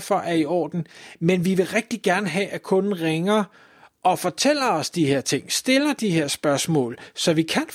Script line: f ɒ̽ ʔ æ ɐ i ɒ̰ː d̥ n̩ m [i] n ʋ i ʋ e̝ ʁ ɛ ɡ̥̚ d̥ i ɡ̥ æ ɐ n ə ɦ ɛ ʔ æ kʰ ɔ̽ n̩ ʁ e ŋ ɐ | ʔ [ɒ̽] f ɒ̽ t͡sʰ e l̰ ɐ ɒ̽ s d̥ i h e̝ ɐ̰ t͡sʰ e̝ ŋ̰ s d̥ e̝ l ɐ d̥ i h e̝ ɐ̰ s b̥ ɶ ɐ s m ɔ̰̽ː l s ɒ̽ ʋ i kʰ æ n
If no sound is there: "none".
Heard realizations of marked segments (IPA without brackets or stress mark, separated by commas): e, ɒ̽